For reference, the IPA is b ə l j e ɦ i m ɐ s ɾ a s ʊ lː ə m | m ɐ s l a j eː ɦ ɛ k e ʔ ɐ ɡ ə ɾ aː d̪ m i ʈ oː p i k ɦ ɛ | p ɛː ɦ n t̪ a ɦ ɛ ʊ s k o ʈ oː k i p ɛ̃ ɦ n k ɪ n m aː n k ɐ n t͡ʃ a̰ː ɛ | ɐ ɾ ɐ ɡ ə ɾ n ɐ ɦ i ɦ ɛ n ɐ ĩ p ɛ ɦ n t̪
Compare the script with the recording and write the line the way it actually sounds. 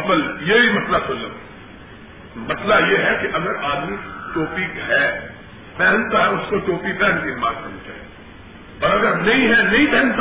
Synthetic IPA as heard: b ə l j e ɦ i m ɐ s l a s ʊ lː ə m | m ɐ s l a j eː ɦ ɛ k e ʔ ɐ ɡ ə ɾ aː d̪ m i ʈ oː p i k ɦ ɛ | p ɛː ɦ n t̪ a ɦ ɛ ʊ s k o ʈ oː p i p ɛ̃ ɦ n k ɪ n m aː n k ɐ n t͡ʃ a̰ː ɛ | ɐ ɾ ɐ ɡ ə ɾ n ɐ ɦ ĩ ɦ ɛ n ɐ ĩ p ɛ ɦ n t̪